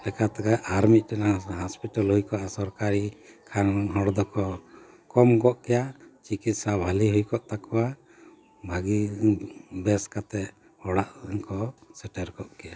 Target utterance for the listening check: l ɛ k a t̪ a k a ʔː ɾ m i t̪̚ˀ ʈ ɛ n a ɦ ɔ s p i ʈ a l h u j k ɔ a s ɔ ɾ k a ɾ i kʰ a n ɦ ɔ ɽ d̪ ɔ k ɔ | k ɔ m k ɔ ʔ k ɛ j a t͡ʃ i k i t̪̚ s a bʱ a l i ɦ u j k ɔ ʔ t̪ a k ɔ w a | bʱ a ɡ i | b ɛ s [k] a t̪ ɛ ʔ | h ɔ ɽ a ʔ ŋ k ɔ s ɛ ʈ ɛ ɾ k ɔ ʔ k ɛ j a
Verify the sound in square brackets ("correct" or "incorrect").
correct